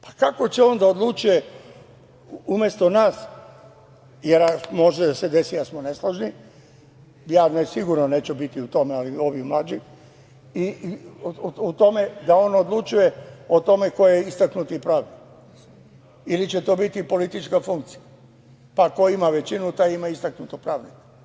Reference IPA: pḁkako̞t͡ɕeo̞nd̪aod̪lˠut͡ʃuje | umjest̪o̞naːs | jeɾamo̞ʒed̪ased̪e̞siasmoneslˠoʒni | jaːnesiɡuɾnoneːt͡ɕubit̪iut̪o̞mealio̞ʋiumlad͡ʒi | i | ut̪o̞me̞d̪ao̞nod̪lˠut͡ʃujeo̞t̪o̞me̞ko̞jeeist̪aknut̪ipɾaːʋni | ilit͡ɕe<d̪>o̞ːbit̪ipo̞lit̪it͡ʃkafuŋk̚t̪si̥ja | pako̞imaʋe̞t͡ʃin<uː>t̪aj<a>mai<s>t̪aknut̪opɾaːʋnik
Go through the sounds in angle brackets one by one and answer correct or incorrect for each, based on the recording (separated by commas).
incorrect, incorrect, incorrect, correct